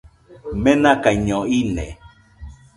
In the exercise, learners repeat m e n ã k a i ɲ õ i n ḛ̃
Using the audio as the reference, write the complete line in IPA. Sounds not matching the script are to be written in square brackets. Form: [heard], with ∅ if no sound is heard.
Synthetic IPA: m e n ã k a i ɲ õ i n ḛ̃